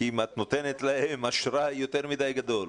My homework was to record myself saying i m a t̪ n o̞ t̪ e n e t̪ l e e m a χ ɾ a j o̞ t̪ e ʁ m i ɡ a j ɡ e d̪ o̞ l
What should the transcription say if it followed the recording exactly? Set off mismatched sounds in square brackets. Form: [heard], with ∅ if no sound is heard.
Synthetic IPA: i m a t̪ n o̞ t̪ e n e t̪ l [a] e m a [ʃ] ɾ a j o̞ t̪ e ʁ m i [d] a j ɡ [a] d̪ o̞ l